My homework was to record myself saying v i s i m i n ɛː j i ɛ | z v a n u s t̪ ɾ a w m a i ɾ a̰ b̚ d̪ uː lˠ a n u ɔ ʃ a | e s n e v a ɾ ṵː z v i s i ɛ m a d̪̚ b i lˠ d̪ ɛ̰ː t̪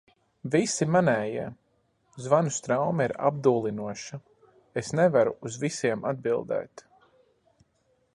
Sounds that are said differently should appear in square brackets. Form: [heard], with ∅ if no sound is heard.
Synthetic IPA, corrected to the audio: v i s i m [a] n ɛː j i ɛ | z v a n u s t̪ ɾ a w m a i ɾ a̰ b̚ d̪ uː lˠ [i] n u ɔ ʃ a | e s n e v a ɾ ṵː z v i s i ɛ m a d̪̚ b i lˠ d̪ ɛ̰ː t̪